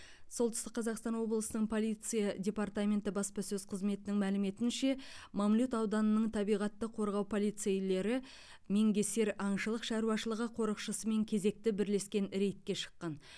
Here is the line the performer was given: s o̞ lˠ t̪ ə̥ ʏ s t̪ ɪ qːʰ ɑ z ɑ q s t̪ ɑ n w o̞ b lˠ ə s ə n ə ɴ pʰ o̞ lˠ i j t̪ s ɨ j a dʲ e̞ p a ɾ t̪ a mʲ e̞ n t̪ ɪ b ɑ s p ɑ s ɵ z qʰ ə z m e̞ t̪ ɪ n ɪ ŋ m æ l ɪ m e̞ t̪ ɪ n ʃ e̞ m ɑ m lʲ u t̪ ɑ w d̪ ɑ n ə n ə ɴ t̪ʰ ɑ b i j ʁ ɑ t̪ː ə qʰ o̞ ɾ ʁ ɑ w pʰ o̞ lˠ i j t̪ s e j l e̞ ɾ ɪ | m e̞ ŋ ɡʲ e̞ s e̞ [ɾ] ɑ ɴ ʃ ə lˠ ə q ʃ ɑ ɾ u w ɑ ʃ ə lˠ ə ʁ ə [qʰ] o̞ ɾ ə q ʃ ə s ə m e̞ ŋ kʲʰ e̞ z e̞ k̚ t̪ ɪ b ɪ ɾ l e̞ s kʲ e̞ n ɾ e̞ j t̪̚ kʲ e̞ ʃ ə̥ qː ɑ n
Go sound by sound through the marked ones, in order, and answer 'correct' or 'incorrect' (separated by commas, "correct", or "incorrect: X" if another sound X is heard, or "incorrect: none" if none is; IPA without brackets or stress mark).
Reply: correct, correct